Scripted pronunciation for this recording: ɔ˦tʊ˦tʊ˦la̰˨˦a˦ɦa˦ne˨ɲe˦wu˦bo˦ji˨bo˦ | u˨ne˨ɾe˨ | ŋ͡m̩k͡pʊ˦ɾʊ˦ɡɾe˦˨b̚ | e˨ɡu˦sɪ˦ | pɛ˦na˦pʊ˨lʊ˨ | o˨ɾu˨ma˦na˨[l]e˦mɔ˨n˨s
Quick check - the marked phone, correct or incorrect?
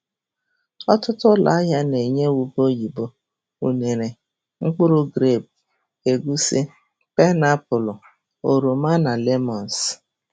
correct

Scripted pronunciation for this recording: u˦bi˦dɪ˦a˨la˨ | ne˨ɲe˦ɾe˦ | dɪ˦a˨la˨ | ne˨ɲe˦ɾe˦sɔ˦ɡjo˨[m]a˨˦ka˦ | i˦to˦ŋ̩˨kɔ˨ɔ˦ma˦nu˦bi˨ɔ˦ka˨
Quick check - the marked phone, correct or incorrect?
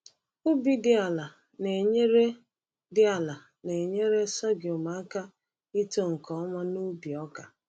correct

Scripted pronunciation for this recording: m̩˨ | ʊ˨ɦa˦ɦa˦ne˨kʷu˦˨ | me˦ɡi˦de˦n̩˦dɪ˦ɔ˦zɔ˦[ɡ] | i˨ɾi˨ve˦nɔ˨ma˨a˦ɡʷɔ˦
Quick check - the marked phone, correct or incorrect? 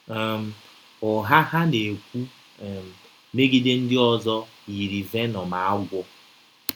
incorrect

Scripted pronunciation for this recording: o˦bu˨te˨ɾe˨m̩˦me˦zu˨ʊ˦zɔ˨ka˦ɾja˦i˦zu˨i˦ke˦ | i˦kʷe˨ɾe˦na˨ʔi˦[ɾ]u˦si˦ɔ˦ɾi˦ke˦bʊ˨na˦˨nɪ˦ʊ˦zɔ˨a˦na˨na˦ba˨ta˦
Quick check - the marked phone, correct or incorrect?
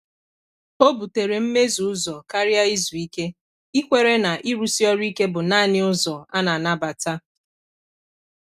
correct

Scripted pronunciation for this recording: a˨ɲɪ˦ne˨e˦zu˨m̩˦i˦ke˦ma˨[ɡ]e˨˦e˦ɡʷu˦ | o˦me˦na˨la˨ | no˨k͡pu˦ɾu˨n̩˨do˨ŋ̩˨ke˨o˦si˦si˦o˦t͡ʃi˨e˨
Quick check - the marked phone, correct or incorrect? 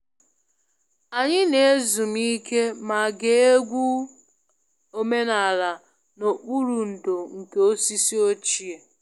correct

